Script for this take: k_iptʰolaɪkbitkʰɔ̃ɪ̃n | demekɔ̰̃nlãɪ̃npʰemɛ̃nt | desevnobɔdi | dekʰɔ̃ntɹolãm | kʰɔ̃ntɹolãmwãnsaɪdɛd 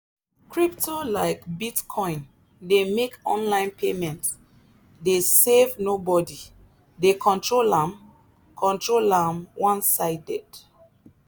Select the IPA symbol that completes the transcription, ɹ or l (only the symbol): ɹ